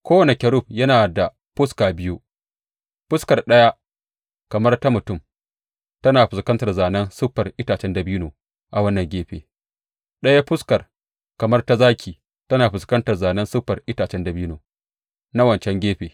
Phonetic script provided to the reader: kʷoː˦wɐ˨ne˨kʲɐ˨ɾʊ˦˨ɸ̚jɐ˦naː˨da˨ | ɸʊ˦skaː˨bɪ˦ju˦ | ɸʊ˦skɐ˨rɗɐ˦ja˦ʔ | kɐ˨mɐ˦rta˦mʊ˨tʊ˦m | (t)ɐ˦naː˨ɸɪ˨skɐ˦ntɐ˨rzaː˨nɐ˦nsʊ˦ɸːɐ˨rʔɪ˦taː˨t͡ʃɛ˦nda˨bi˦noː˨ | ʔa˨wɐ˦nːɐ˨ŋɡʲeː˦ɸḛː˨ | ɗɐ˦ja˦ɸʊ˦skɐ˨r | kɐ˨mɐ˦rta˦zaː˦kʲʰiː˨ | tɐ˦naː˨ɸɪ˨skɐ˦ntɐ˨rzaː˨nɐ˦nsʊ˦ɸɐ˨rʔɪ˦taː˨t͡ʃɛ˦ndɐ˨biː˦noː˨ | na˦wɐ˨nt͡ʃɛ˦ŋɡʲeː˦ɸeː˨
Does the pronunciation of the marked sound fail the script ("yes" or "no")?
no